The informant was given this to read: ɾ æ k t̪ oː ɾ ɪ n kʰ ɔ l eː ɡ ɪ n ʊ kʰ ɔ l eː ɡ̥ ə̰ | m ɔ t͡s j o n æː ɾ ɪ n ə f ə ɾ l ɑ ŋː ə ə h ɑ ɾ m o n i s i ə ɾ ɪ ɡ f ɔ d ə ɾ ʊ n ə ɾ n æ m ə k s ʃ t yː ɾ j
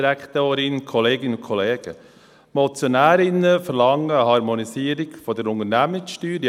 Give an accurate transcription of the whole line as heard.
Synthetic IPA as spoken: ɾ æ k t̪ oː ɾ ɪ n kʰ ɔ l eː ɡ ɪ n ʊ kʰ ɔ l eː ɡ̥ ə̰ | m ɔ t͡s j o n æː ɾ ɪ n ə f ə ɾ l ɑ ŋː ə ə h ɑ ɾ m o n i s i ə ɾ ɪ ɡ f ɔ d ə ɾ ʊ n ə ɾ n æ m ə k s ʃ t yː ɾ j

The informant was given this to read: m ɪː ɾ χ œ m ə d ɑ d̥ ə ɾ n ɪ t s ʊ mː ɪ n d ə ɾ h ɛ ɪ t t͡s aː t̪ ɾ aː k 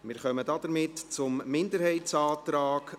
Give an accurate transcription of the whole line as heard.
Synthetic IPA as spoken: m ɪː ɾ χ œ m ə d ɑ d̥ ə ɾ m ɪ t t͡s ʊ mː ɪ n d ə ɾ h ɛ ɪ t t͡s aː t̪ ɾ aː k

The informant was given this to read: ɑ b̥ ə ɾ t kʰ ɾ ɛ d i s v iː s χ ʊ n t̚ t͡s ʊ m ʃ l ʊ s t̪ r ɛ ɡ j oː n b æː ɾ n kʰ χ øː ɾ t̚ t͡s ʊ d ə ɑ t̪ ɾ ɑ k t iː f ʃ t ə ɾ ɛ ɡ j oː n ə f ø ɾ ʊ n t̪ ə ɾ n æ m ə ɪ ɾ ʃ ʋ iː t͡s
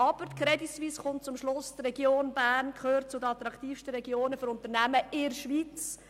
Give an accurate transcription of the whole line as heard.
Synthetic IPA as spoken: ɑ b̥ ə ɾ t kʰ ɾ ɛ d i s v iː s χ ʊ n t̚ t͡s ʊ m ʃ l ʊ s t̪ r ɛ ɡ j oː n b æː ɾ n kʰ χ øː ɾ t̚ t͡s ʊ d ə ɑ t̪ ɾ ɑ k t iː f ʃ t ə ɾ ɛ ɡ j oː n ə f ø ɾ ʊ n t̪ ə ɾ n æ m ə ɪ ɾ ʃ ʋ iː t͡s

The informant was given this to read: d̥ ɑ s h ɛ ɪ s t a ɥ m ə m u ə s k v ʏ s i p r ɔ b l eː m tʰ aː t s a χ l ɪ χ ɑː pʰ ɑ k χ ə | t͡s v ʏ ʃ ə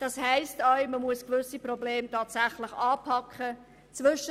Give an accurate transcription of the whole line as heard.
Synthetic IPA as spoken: d̥ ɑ s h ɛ ɪ s t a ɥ m ə m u ə s k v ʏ s i p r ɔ b l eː m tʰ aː t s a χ l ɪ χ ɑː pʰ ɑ k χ ə | t͡s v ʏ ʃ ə

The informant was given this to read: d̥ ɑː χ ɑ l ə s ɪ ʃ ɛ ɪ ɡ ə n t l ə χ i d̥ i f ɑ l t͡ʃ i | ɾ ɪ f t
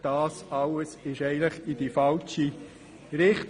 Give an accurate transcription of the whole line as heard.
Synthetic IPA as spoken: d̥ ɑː s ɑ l ə s ɪ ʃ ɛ ɪ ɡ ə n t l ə χ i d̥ i f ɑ l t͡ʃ i | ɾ ɪ χ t

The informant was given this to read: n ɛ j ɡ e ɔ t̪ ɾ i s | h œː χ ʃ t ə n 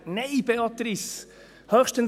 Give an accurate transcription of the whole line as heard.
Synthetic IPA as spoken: n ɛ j b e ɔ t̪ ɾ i s | h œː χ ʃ t ə n

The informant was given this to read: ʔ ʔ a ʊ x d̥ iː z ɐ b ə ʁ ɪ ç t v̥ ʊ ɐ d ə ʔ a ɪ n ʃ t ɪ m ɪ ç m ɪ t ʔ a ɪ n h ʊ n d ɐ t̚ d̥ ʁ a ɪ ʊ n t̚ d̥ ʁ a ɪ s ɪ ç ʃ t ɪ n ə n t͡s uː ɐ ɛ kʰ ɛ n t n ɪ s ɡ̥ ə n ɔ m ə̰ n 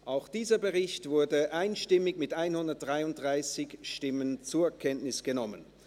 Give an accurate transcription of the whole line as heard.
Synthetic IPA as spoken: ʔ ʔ a ʊ x d̥ iː z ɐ b ə ʁ ɪ ç t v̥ ʊ ɐ d ə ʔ a ɪ n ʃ t ɪ m ɪ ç m ɪ t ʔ a ɪ n h ʊ n d ɐ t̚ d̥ ʁ a ɪ ʊ n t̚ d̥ ʁ a ɪ s ɪ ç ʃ t ɪ m ə n t͡s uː ɐ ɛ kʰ ɛ n t n ɪ s ɡ̥ ə n ɔ m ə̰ n

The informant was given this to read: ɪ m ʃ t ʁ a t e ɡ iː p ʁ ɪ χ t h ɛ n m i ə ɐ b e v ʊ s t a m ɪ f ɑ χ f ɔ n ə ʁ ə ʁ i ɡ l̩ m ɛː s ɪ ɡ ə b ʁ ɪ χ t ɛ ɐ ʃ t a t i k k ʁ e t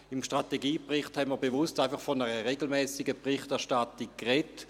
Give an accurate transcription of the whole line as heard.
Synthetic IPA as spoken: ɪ m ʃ t ʁ a t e ɡ iː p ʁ ɪ χ t h ɛ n m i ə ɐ b e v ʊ s t a ɪ f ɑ χ f ɔ n ə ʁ ə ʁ e ɡ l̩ m ɛː s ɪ ɡ ə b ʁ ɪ χ t ɛ ɐ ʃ t a t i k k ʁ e t

